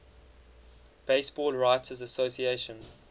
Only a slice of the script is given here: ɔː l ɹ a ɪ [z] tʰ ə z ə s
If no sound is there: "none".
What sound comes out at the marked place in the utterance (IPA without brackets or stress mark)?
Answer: none